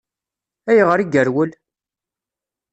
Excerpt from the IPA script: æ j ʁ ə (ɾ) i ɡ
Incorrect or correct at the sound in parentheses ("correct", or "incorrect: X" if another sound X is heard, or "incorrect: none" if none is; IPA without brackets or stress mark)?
correct